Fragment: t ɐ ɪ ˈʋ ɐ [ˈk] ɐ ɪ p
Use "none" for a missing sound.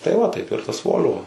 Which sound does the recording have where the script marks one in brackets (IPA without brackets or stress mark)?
t